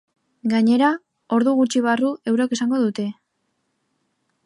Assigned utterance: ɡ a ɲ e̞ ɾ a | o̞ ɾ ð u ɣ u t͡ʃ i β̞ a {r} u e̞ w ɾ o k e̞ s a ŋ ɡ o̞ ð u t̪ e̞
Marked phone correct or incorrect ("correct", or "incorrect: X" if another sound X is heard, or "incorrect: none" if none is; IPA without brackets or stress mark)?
correct